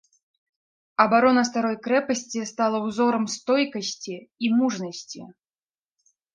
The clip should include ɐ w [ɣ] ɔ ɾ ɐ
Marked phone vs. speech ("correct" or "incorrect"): incorrect